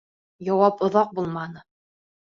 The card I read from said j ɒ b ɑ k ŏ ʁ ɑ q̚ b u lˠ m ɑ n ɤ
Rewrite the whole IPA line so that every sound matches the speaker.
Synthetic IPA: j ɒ w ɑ p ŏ ð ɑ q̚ b u lˠ m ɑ n ɤ